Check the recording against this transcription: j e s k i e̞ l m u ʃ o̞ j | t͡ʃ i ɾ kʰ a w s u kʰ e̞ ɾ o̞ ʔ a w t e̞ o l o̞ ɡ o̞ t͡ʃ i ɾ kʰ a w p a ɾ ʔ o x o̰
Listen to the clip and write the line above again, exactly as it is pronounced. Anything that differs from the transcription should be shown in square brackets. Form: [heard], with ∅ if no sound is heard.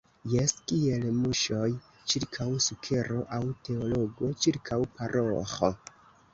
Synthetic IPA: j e s k i e̞ l m u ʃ o̞ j | t͡ʃ i ɾ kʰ a w s u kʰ e̞ ɾ o̞ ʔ a w t e̞ o l o̞ ɡ o̞ t͡ʃ i ɾ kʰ a w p a ɾ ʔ o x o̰